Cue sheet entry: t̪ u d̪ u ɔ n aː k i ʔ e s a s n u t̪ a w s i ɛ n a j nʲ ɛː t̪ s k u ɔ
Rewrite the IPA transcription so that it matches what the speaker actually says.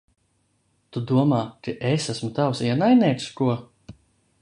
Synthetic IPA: t̪ u d̪ u ɔ m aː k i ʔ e s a s m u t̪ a w s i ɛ n a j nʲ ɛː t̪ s k u ɔ